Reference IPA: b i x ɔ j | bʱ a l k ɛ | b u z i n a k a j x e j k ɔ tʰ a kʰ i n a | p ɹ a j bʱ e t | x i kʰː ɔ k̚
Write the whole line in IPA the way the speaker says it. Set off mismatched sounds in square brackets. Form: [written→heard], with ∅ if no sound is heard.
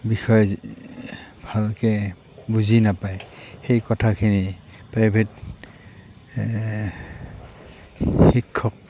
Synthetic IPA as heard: b i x ɔ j | bʱ a l k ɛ | b u z i n a [k→p] a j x e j k ɔ tʰ a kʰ i n [a→i] | p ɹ a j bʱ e t | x i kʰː ɔ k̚